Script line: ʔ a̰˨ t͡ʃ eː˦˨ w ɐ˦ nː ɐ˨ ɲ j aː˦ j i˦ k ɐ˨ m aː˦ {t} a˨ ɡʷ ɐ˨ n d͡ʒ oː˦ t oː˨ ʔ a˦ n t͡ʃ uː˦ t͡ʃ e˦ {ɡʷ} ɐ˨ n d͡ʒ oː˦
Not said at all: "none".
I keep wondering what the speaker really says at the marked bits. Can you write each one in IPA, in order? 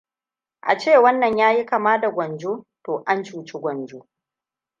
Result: d, ɡʷ

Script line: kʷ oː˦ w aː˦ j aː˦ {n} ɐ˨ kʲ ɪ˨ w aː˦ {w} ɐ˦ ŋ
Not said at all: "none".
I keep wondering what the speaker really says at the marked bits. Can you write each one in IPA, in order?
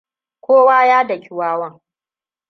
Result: d, w

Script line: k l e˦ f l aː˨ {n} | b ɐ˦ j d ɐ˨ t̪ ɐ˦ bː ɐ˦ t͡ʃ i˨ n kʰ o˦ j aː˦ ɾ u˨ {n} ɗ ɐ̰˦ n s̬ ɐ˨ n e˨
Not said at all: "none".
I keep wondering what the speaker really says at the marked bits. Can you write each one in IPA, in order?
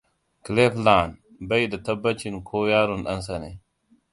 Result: n, n

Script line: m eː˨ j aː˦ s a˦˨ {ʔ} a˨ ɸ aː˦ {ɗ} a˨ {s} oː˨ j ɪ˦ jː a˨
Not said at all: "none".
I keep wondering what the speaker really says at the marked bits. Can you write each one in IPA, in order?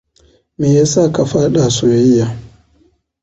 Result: k, ɗ, s

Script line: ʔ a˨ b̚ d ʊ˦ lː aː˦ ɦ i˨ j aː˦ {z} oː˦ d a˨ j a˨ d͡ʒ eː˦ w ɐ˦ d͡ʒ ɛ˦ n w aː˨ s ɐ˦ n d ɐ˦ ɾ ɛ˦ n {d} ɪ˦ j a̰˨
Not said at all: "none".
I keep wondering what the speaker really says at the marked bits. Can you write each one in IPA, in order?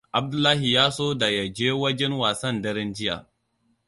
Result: s, d͡ʒ

